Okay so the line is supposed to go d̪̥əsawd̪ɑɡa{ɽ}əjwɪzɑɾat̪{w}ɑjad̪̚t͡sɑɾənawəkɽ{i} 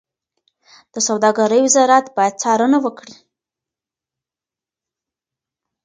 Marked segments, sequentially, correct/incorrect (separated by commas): incorrect, incorrect, correct